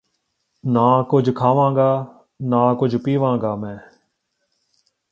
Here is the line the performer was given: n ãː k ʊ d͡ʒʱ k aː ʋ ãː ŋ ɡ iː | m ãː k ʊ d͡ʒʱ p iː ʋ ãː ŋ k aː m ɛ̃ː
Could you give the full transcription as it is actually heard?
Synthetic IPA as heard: n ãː k ʊ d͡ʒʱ kʰ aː ʋ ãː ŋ ɡ aː | n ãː k ʊ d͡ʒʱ p iː ʋ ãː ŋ ɡ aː m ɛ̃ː